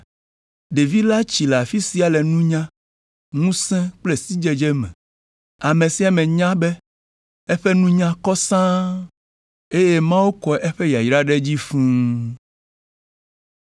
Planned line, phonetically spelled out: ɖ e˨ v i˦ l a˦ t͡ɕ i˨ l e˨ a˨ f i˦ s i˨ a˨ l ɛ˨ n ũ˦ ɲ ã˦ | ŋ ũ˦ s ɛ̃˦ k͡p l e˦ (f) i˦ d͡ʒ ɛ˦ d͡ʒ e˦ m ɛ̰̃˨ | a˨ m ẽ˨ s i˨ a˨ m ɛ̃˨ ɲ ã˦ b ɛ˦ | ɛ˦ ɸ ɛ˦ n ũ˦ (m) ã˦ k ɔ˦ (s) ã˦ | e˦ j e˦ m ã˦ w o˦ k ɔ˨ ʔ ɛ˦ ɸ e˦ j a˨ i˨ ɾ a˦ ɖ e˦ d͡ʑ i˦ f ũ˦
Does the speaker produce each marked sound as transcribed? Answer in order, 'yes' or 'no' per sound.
no, no, yes

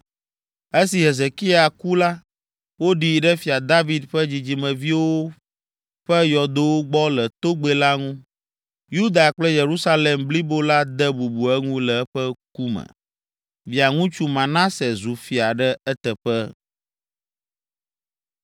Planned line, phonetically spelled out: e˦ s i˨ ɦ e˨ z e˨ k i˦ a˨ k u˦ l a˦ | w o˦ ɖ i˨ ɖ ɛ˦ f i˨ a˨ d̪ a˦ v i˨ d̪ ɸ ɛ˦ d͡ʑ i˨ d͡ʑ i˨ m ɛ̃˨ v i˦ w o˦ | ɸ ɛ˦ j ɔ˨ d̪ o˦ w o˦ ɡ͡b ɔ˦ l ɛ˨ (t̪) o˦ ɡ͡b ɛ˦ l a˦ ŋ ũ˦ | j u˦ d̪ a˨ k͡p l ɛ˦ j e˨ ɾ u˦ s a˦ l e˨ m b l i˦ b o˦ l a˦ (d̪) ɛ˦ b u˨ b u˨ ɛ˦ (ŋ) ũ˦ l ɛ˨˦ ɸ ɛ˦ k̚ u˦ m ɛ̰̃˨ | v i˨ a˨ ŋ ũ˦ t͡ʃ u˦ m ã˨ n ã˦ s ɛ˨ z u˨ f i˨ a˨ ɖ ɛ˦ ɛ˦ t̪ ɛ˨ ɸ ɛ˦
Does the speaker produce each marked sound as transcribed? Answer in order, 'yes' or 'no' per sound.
yes, yes, yes

